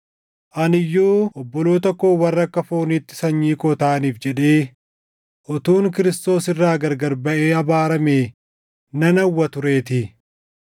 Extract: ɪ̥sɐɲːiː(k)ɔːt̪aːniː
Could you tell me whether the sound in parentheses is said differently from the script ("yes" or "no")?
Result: no